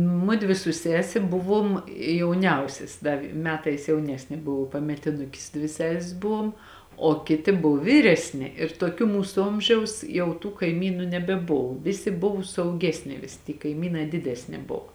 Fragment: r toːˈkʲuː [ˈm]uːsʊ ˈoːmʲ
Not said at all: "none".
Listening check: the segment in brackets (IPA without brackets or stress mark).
m